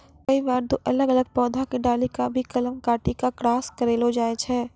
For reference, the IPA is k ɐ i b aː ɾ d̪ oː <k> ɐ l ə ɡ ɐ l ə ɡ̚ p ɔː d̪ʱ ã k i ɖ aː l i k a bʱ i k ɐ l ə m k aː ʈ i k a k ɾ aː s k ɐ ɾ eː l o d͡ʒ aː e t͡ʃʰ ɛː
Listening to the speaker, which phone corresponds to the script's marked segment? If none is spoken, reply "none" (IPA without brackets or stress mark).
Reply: ʔ